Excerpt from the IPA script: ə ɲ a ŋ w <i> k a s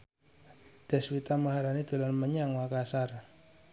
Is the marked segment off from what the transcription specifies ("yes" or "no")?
yes